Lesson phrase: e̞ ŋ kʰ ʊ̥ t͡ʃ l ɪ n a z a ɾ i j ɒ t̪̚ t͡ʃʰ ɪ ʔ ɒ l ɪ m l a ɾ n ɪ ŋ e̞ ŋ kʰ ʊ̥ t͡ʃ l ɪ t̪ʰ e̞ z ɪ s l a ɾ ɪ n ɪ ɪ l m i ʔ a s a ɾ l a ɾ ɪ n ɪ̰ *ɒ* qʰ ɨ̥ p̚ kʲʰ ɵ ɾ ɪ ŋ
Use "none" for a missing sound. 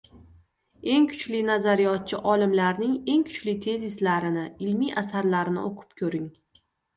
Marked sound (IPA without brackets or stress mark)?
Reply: o